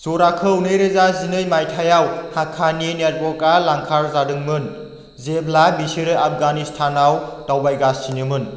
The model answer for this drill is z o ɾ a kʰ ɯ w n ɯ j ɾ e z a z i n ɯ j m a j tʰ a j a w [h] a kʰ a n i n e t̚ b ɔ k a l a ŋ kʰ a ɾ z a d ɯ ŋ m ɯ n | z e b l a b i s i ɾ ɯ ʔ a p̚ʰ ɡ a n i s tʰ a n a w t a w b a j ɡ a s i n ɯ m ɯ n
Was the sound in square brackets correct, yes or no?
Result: yes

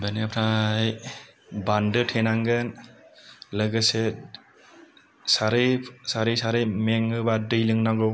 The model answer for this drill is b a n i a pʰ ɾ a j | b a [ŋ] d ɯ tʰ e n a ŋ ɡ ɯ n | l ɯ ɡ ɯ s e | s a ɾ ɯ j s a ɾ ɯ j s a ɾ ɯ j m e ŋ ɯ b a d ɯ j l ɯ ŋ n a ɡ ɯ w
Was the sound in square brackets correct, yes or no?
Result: no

